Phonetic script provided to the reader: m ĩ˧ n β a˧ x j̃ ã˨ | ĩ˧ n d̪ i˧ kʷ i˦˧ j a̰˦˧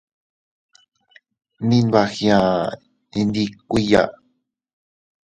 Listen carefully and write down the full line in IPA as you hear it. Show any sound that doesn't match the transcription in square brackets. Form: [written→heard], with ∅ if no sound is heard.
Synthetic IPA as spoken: [m→n] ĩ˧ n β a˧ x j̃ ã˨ | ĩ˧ n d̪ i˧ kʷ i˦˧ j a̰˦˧